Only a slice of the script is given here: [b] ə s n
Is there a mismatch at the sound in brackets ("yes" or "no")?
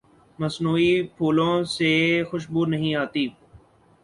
yes